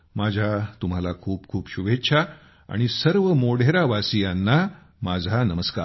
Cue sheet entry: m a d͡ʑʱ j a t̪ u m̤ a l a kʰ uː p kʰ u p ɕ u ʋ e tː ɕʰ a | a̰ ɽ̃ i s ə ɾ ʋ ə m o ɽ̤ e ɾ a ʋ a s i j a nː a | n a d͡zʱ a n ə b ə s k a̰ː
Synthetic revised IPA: m a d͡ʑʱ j a t̪ u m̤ a l a kʰ uː p kʰ uː p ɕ u ʋ e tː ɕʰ a | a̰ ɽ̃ i s ə ɾ ʋ ə m o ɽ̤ e ɾ a ʋ a s i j a nː a | m a d͡zʱ a n ə m ə s k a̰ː